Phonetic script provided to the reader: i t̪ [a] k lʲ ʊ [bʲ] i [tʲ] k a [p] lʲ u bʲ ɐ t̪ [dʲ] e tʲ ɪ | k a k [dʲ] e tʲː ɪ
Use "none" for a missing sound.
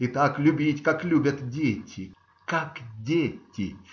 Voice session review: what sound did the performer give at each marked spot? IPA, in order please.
a, bʲ, tʲ, k, dʲ, dʲ

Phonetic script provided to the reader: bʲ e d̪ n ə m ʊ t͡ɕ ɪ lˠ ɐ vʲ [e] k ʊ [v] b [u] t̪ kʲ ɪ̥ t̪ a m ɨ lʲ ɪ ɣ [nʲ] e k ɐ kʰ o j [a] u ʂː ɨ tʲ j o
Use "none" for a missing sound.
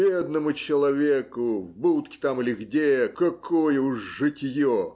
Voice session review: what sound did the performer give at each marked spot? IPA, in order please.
e, v, u, dʲ, ə

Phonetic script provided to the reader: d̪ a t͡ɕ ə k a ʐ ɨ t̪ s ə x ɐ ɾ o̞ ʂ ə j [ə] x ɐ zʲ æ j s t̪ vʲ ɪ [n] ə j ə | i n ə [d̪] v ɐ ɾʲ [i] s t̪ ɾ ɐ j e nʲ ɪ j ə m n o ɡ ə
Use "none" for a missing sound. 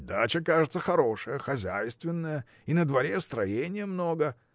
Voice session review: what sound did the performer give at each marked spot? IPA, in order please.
ə, nː, d̪, e

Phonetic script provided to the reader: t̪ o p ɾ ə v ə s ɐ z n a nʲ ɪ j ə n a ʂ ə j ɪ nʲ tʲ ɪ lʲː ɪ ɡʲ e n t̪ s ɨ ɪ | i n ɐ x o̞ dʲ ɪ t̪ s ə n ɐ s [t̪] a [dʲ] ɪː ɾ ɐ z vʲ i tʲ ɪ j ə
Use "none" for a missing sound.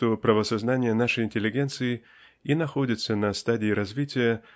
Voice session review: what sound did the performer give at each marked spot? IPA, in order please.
t̪, dʲ

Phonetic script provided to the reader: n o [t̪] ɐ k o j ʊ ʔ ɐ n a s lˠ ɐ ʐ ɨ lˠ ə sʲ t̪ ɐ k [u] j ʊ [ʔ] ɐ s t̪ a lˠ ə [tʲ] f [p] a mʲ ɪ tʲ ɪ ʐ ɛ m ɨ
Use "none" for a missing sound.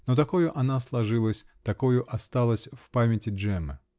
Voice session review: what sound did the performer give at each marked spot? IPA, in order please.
t̪, o, ʔ, sʲ, p

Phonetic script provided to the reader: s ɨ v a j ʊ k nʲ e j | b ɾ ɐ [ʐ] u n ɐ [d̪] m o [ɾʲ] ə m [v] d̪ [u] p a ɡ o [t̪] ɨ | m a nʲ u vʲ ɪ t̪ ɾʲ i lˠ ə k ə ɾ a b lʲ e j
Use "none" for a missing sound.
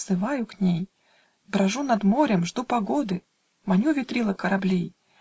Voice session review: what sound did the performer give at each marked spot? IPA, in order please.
ʐ, d̪, ɾʲ, ʐ, u, d̪

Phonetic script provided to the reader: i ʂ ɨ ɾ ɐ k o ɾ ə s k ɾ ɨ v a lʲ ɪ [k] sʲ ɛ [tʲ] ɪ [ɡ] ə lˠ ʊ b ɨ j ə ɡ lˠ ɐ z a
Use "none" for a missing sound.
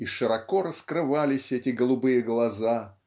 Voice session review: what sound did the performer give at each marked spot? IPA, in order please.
none, tʲ, ɡ

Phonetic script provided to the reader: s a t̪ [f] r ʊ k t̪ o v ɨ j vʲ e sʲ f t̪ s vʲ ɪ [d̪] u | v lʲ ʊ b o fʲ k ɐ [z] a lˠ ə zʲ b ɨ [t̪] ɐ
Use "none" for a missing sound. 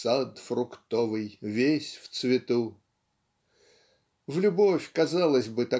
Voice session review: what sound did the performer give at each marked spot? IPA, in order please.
f, t̪, z, t̪

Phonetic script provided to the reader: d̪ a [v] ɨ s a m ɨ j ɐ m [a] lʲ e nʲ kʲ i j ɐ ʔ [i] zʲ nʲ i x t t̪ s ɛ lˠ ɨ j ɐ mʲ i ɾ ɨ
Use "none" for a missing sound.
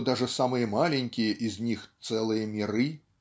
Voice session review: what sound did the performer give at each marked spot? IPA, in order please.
ʐ, a, i

